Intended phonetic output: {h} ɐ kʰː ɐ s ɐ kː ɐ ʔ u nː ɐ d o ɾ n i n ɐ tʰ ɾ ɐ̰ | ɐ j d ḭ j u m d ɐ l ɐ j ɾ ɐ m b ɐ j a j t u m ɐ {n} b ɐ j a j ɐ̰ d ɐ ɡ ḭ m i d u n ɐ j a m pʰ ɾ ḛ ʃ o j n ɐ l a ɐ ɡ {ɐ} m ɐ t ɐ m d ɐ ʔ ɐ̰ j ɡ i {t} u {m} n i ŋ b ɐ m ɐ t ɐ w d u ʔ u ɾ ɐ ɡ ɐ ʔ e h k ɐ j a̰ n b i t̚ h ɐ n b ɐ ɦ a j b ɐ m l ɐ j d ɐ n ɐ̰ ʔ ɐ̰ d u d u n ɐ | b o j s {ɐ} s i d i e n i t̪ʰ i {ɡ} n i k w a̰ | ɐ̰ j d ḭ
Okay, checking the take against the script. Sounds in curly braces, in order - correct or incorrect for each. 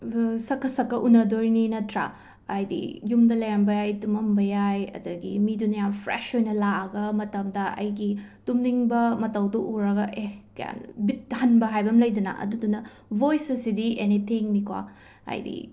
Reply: incorrect: s, incorrect: m, correct, correct, correct, correct, incorrect: ŋ

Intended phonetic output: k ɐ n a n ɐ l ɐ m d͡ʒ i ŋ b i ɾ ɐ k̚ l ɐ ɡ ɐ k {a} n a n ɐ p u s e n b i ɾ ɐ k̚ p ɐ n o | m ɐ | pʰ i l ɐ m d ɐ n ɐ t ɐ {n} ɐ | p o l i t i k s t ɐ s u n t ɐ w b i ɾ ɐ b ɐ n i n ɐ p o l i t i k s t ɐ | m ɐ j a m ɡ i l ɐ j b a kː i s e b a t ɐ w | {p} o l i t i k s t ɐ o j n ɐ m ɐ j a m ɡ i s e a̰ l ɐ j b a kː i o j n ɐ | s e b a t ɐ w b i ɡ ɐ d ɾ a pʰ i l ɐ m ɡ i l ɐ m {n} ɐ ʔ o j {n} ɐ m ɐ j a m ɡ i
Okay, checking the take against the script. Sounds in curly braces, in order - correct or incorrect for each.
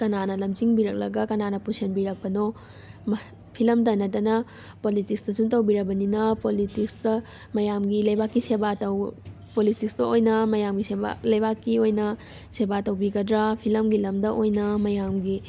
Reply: incorrect: ɐ, correct, correct, incorrect: d, correct

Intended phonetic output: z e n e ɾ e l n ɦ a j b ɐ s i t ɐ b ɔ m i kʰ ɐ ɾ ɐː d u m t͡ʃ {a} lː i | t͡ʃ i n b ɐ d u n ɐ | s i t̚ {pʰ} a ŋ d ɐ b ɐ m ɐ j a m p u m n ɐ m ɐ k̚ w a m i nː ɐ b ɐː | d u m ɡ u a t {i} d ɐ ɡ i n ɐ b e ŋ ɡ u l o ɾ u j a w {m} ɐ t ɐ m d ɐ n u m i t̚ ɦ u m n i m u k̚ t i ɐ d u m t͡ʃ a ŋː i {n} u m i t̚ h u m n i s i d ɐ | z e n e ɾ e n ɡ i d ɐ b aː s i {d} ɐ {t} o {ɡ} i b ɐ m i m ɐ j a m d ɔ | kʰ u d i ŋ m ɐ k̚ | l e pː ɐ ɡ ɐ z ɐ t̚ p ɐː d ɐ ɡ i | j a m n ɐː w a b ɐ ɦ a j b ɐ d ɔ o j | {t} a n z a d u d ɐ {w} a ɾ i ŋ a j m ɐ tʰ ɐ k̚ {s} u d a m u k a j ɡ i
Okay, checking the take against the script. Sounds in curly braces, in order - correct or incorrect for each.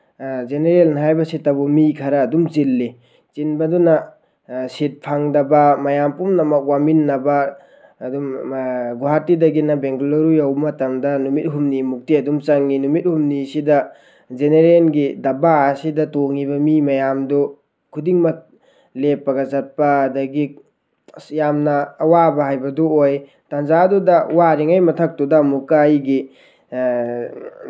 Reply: incorrect: i, correct, correct, correct, correct, correct, correct, incorrect: ŋ, correct, correct, incorrect: t

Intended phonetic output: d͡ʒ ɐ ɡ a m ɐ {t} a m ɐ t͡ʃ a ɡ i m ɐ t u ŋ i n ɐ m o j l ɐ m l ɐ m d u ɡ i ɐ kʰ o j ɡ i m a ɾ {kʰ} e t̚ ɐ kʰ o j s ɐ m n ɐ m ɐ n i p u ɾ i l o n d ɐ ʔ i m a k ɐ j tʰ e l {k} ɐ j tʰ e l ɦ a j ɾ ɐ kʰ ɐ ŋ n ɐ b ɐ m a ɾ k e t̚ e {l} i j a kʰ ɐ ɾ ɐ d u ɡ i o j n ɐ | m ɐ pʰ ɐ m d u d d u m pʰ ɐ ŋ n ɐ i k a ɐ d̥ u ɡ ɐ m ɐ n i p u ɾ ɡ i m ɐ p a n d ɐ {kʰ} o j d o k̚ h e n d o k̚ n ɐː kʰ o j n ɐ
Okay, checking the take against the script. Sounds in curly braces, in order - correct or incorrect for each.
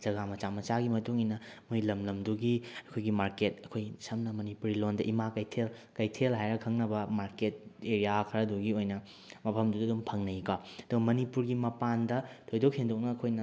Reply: incorrect: t͡ʃ, incorrect: k, correct, incorrect: ɾ, incorrect: tʰ

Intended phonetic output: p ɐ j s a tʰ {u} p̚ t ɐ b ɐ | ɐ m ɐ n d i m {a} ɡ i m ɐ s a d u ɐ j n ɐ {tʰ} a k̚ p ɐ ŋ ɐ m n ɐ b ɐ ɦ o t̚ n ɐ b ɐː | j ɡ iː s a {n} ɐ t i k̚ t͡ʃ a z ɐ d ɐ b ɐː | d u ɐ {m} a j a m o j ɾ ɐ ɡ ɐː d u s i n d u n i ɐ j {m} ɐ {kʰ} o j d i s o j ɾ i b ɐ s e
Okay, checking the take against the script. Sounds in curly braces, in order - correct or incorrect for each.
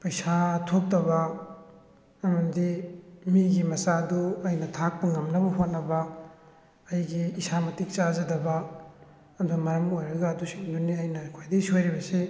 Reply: incorrect: o, incorrect: i, correct, incorrect: m, correct, incorrect: n, correct

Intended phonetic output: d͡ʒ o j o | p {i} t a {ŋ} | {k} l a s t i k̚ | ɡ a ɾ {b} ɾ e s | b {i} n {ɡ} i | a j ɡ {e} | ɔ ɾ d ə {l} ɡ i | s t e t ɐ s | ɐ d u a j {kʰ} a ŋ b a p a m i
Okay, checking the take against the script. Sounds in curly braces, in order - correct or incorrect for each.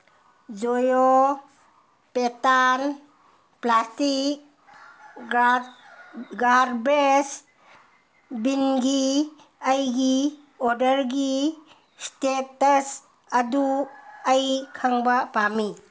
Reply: incorrect: e, incorrect: n, incorrect: p, correct, correct, correct, incorrect: i, incorrect: ɾ, correct

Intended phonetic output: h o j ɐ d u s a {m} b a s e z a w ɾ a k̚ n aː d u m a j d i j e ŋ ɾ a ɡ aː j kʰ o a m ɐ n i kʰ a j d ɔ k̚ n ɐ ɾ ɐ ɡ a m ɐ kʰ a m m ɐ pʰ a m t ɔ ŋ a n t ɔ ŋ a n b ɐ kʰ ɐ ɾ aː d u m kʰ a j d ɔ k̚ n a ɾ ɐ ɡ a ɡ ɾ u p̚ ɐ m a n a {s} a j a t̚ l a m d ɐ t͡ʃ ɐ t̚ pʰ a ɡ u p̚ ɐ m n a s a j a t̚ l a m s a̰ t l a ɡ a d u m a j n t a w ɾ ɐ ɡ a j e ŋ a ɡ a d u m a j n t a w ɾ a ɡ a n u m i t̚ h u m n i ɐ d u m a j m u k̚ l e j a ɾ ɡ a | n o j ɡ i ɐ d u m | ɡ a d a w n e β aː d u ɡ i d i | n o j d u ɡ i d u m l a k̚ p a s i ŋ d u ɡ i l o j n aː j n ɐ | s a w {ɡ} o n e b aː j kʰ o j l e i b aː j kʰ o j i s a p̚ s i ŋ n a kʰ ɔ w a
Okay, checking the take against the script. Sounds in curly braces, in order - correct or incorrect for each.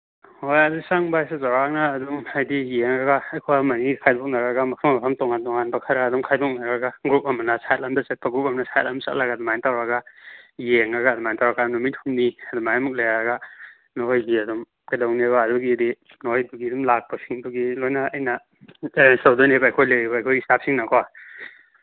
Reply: incorrect: ŋ, correct, incorrect: d

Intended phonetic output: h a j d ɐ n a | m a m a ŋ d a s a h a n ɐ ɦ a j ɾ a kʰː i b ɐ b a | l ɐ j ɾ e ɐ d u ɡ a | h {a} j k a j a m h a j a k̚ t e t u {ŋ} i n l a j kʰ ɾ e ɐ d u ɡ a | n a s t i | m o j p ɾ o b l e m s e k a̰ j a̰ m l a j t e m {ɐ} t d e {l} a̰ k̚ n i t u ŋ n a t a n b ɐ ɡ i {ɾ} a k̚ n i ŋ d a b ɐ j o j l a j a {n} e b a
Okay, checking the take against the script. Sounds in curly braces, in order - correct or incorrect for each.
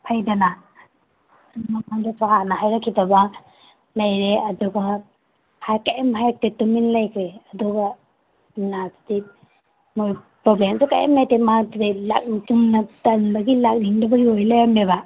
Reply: correct, incorrect: m, incorrect: a, correct, incorrect: l, incorrect: m

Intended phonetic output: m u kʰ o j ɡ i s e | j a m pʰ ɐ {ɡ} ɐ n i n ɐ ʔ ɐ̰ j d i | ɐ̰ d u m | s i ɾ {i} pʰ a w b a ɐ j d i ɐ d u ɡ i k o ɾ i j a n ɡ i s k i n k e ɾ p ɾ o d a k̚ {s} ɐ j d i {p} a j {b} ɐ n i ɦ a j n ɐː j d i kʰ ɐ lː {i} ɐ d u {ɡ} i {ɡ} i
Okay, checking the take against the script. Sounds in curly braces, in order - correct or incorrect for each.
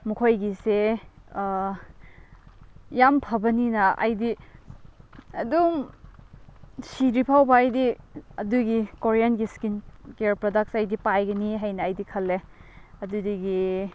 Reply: incorrect: b, correct, correct, correct, incorrect: ɡ, incorrect: e, incorrect: d, correct

